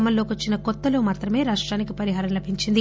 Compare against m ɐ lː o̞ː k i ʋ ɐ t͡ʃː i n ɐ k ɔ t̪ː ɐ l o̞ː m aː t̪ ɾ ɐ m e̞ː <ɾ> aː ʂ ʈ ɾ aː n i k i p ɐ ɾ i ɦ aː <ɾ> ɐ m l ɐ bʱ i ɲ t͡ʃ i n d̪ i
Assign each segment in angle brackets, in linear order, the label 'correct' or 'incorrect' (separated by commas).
correct, correct